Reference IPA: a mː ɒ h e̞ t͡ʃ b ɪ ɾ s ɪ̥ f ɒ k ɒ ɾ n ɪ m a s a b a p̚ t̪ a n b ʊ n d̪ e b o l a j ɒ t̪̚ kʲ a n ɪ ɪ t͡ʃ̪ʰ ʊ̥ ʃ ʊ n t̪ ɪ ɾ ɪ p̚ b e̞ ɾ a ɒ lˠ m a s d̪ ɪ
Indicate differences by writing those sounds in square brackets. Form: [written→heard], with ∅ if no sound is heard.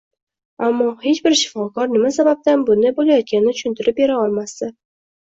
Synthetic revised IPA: a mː ɒ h e̞ t͡ʃ b ɪ ɾ [s→ʃ] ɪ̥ f ɒ k ɒ ɾ n ɪ m a s a b a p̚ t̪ a n b ʊ n d̪ [e→a] b o l a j ɒ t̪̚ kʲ a n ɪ ɪ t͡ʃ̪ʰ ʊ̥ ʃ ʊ n t̪ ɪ ɾ ɪ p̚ b e̞ ɾ a ɒ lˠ m a s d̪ ɪ

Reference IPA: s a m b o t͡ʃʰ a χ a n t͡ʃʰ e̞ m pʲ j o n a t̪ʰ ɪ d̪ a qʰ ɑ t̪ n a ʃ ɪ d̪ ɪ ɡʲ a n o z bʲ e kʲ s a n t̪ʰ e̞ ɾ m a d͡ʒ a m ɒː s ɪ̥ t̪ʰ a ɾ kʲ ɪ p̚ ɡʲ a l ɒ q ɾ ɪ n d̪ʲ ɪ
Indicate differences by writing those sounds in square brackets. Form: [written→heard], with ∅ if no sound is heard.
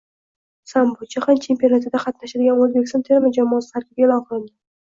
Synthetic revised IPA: s a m b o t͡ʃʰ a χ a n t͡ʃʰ e̞ m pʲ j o n a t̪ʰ ɪ d̪ a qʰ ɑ t̪ n a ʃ ɪ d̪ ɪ ɡʲ a n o z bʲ e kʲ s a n t̪ʰ e̞ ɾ m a d͡ʒ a m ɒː s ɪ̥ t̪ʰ a ɾ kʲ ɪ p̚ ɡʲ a l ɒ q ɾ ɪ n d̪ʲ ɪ

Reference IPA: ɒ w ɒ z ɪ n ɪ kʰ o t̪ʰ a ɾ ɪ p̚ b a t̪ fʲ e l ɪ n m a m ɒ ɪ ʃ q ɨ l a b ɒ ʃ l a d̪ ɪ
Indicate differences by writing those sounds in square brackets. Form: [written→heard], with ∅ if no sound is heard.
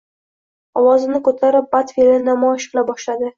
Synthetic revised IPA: ɒ w ɒ z ɪ n ɪ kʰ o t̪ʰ a ɾ ɪ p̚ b a t̪ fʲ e l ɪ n [m→n] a m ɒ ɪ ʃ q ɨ l a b ɒ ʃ l a d̪ ɪ

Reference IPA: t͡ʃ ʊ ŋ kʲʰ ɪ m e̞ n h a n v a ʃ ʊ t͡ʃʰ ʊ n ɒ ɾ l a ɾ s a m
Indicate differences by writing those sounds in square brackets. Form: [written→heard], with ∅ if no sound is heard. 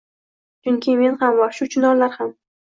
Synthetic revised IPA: t͡ʃ ʊ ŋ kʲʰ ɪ m e̞ n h a [n→m] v a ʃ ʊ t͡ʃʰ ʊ n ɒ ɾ l a ɾ [s→h] a m

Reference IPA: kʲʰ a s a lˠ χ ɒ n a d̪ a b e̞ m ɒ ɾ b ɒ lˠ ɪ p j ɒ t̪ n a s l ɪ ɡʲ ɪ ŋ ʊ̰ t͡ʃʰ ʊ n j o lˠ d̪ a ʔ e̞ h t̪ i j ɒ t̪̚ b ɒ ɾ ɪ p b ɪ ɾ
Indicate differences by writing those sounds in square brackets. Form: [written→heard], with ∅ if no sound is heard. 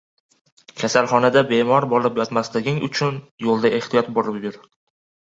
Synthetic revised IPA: kʲʰ a s a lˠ χ ɒ n a d̪ a b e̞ m ɒ ɾ b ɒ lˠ ɪ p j ɒ t̪ [n→m] a s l ɪ ɡʲ ɪ ŋ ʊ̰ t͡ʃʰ ʊ n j o lˠ d̪ a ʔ e̞ h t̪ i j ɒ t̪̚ b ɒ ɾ ɪ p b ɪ ɾ

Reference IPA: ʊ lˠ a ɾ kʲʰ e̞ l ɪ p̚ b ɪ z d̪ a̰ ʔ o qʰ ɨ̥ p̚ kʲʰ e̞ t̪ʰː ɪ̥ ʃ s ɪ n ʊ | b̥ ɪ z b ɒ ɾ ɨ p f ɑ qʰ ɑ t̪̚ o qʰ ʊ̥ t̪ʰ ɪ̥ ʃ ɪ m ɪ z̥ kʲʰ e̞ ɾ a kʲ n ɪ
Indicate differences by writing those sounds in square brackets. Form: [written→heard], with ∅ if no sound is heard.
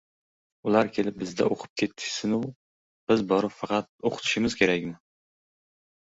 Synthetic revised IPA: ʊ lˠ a ɾ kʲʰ e̞ l ɪ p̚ b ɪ z d̪ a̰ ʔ o qʰ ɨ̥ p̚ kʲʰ e̞ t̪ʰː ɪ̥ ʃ s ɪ n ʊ | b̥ ɪ z b ɒ ɾ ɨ p f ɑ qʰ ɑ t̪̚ o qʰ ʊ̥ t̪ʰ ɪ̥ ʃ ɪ m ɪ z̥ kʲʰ e̞ ɾ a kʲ n ɪ

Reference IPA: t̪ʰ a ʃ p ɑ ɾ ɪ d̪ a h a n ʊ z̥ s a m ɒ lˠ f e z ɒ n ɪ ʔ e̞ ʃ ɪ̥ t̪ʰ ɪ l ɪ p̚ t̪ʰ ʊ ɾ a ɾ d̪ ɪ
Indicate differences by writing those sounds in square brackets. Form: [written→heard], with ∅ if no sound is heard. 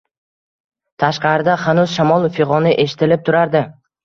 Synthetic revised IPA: t̪ʰ a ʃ [p→q] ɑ ɾ ɪ d̪ a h a n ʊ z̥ [s→ʃ] a m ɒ lˠ f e [z→ʁ] ɒ n ɪ ʔ e̞ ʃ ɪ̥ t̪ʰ ɪ l ɪ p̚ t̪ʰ ʊ ɾ a ɾ d̪ ɪ

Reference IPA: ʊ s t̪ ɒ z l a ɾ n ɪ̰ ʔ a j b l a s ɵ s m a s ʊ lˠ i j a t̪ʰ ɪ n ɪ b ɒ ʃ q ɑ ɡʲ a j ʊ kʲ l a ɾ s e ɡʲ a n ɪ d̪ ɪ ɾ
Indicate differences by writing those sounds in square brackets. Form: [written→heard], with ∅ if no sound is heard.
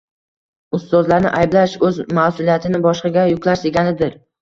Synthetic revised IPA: ʊ s t̪ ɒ z l a ɾ n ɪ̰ ʔ a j b l a [s→ʃ] ɵ [s→z] m a s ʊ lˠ i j a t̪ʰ ɪ n ɪ b ɒ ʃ q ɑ ɡʲ a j ʊ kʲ l a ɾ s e ɡʲ a n ɪ d̪ ɪ ɾ

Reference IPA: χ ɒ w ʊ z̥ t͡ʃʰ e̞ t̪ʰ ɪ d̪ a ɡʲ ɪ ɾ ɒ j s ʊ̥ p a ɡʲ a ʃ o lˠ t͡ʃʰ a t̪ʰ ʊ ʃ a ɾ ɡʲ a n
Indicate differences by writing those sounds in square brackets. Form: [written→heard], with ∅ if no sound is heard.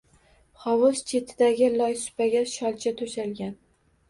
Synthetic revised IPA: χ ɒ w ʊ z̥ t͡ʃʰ e̞ t̪ʰ ɪ d̪ a ɡʲ ɪ [ɾ→l] ɒ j s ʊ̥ p a ɡʲ a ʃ [o→ɒ] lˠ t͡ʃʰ a t̪ʰ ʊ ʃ a [ɾ→l] ɡʲ a n

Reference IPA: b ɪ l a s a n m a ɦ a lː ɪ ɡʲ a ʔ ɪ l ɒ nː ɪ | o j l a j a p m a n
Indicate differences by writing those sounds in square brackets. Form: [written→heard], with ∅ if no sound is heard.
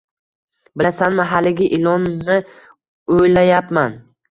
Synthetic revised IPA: b ɪ l a s a n m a ɦ a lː ɪ ɡʲ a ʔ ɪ l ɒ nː ɪ | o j l a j a p m a n

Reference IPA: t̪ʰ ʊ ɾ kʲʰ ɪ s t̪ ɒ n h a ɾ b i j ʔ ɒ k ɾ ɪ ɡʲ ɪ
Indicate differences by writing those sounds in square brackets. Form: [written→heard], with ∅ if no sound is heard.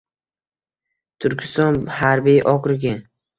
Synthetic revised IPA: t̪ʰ ʊ ɾ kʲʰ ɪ s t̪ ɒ n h a ɾ b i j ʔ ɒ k ɾ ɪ ɡʲ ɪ

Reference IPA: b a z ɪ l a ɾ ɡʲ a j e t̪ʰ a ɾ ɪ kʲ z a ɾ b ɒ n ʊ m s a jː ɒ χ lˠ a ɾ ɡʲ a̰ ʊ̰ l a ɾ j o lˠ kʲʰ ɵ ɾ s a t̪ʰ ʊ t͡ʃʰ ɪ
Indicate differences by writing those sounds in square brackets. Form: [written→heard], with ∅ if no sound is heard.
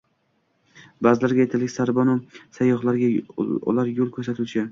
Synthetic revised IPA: b a z ɪ l a ɾ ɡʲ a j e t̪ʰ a [ɾ→l] ɪ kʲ [z→s] a ɾ b ɒ n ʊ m s a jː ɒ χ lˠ a ɾ ɡʲ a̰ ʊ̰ l a ɾ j o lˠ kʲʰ ɵ ɾ s a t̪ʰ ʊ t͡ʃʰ ɪ

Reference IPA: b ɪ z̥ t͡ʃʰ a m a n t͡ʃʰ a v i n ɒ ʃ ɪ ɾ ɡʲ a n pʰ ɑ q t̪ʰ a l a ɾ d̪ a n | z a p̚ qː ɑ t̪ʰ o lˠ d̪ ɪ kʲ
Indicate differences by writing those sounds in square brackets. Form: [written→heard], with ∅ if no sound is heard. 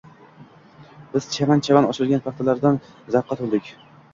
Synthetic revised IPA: b ɪ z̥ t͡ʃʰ a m a n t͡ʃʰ a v [i→a] n ɒ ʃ ɪ ɾ ɡʲ a n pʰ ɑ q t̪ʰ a l a ɾ d̪ a n | z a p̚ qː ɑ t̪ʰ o lˠ d̪ ɪ kʲ

